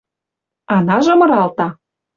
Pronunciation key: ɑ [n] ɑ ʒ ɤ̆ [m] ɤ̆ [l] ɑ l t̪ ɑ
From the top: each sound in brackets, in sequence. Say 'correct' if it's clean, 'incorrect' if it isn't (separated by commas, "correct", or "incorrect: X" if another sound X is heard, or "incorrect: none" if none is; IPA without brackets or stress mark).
correct, correct, incorrect: ɾ